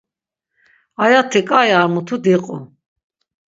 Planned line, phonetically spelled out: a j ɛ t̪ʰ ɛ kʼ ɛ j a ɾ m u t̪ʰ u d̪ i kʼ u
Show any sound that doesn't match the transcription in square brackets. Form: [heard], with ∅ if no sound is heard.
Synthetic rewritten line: a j [a] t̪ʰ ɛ kʼ [a] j a ɾ m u t̪ʰ u d̪ i [qʼ] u